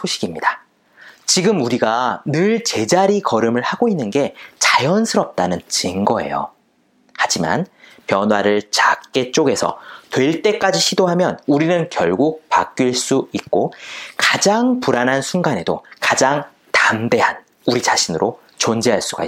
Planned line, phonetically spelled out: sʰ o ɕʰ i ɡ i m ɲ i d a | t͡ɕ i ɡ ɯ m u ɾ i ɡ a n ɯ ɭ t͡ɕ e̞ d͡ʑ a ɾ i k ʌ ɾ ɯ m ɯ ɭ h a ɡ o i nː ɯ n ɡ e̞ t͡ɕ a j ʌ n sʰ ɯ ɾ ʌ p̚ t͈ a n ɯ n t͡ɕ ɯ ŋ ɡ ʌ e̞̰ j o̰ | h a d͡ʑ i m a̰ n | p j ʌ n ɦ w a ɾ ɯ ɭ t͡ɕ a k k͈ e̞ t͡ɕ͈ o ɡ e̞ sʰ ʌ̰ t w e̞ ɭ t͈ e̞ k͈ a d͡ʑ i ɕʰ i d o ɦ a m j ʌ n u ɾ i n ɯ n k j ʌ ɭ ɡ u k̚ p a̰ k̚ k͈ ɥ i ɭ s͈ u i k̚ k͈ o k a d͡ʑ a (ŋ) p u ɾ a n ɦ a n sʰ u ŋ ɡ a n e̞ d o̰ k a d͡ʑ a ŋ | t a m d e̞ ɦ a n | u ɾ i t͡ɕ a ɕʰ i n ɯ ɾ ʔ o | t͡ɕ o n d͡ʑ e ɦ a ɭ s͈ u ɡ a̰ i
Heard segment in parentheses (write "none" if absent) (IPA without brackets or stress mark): ŋ